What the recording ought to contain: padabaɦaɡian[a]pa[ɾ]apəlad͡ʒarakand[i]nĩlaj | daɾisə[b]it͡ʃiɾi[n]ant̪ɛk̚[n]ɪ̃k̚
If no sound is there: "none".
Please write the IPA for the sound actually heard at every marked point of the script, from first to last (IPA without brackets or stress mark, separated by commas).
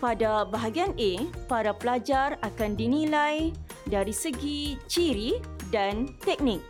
e, ɾ, i, ɡ, d, n